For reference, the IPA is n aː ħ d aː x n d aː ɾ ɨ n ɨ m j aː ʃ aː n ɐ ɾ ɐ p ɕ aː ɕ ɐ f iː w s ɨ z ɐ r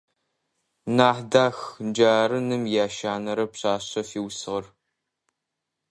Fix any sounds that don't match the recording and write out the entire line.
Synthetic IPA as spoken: n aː ħ d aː x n d͡ʒ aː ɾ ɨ n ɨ m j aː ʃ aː n ɐ ɾ ɐ p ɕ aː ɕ ɐ f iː w s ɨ ʁ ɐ r